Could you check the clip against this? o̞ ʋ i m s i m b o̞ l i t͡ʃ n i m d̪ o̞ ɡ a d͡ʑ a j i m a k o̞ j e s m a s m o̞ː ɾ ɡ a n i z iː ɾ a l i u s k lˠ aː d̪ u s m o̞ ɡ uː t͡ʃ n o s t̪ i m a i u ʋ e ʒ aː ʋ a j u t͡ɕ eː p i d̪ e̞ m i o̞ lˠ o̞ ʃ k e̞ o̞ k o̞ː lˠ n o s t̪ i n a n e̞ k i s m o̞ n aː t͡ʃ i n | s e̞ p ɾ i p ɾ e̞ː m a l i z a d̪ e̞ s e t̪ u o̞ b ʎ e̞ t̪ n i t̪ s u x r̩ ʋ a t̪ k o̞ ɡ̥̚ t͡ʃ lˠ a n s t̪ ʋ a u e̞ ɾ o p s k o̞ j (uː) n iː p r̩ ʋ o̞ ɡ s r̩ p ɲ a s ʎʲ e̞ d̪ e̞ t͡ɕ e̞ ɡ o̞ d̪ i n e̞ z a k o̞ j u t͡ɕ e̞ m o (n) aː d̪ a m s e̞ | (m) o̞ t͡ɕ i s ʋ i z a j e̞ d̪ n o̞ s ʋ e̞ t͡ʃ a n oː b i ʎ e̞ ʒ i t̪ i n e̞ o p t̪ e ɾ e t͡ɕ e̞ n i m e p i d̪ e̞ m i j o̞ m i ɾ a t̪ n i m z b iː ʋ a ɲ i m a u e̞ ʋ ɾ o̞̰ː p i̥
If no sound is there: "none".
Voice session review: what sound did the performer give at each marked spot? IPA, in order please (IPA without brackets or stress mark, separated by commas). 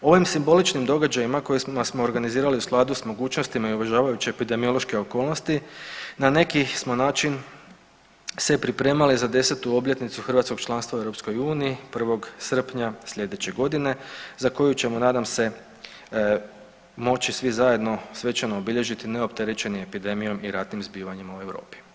uː, n, m